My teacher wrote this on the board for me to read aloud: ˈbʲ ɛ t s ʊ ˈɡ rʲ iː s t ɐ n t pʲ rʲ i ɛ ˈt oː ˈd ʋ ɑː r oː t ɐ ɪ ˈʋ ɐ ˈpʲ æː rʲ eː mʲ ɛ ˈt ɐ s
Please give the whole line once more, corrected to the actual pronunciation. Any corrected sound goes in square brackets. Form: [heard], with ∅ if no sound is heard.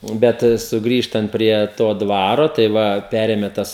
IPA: ˈbʲ ɛ t s ʊ ˈɡ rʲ iː [ʃ] t ɐ n t pʲ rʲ i ɛ ˈt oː ˈd ʋ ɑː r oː t ɐ ɪ ˈʋ ɐ ˈpʲ æː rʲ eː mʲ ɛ ˈt ɐ s